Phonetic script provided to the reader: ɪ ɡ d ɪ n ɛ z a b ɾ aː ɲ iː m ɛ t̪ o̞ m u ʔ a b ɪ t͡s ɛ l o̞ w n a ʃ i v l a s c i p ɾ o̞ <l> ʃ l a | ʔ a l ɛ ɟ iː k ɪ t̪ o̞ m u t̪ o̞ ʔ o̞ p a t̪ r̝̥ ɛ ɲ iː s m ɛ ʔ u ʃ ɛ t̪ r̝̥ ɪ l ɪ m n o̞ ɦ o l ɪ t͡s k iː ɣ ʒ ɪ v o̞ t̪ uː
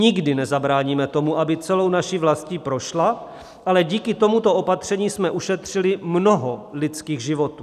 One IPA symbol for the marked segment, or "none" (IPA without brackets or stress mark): none